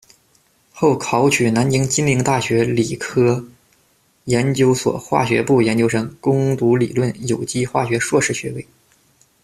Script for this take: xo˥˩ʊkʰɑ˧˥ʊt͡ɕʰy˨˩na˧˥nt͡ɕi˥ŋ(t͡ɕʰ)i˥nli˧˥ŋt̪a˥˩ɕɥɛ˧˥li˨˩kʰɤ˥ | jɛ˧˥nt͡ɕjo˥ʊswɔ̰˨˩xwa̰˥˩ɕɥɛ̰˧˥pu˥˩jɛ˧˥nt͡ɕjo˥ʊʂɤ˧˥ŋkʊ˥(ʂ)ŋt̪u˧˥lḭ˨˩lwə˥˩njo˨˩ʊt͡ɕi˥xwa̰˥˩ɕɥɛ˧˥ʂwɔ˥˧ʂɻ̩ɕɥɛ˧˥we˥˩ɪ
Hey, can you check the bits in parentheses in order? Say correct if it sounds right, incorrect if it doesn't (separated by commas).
incorrect, incorrect